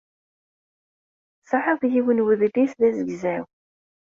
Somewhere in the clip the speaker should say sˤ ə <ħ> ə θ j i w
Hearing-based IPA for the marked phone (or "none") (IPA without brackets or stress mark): ħ